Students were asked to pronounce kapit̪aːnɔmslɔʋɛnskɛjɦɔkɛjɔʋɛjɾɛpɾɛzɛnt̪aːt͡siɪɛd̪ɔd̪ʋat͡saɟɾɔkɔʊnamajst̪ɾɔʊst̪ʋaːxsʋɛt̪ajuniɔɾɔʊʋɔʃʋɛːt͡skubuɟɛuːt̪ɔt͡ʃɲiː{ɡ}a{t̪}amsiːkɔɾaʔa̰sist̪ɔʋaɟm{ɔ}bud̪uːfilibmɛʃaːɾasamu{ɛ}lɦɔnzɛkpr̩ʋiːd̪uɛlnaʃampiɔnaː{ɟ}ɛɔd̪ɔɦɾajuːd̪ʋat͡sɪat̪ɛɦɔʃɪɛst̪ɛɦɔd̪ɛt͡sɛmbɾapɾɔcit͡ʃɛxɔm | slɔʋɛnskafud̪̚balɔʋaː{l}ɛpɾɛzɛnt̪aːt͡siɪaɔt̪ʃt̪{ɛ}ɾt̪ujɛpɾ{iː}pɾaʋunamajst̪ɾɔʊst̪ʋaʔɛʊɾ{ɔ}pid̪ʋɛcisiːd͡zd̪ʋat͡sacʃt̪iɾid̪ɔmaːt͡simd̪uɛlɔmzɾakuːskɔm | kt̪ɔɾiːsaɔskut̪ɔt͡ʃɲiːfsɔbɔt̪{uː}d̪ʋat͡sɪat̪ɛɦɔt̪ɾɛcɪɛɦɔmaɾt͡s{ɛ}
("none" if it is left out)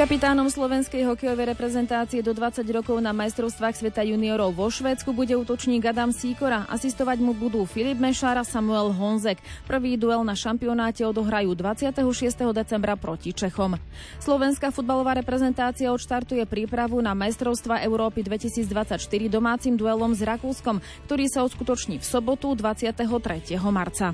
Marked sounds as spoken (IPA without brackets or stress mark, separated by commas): ɡ, d̪, u, ɛ, c, ɾ, a, iː, ɔː, u, a